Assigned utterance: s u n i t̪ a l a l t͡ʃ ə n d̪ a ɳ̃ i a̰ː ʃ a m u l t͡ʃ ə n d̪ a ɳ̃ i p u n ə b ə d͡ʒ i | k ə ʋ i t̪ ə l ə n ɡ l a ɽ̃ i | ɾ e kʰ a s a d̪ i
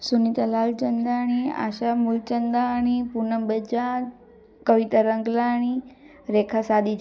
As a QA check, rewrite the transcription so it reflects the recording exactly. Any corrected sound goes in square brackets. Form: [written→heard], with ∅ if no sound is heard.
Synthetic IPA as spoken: s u n i t̪ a l a l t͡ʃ ə n d̪ a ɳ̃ i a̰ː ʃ a m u l t͡ʃ ə n d̪ a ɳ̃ i p u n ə b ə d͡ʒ [i→a] | k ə ʋ i t̪ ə [l→ɾ] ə [n→ŋ] ɡ l a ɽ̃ i | ɾ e kʰ a s a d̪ i